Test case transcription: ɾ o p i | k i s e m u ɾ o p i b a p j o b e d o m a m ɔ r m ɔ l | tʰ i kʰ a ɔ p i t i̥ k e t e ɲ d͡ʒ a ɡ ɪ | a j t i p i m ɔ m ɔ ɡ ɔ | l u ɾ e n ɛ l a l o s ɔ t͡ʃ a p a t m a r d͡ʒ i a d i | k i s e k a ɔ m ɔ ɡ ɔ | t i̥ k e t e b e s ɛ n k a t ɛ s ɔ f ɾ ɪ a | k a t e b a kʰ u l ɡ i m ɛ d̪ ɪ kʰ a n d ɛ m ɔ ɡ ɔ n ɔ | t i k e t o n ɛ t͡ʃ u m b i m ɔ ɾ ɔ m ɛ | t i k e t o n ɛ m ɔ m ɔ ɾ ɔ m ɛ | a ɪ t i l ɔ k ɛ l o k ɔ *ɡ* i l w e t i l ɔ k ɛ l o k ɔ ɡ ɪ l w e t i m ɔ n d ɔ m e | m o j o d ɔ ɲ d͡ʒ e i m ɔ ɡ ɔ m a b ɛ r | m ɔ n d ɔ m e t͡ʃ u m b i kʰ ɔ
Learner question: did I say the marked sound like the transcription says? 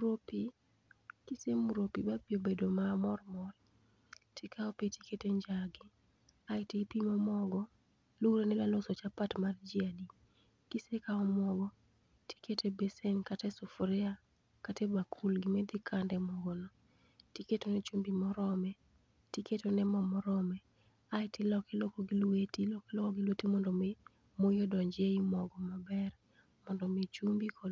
yes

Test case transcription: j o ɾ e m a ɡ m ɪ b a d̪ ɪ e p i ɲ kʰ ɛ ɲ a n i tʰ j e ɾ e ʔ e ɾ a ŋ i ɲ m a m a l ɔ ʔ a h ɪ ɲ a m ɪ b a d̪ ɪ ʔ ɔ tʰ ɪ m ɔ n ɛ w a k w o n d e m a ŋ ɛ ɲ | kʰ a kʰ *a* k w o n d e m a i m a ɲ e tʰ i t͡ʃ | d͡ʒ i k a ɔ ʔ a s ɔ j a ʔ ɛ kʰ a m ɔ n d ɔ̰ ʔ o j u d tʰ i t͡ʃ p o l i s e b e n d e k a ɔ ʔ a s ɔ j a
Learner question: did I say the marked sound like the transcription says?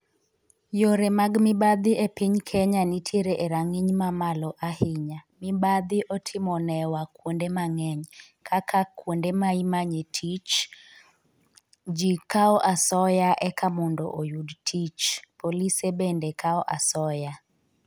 yes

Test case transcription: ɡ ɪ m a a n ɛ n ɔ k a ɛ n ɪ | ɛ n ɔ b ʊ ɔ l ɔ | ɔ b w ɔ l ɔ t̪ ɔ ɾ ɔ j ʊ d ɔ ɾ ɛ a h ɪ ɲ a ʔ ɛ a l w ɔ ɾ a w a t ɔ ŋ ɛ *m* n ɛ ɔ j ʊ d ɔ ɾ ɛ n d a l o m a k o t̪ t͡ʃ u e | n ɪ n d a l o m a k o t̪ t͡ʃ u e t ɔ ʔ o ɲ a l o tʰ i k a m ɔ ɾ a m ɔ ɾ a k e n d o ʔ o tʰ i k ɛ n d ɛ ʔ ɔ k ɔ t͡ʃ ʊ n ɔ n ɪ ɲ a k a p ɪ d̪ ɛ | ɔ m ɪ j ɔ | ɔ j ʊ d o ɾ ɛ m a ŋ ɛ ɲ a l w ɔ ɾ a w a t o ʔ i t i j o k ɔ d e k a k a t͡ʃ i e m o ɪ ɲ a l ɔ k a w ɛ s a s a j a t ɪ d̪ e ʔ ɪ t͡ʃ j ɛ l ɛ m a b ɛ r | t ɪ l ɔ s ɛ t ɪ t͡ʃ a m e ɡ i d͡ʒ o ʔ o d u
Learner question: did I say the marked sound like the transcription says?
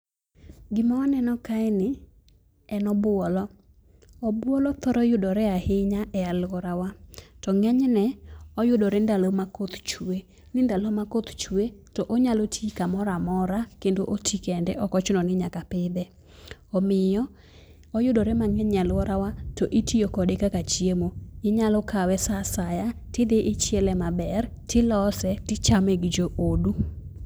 no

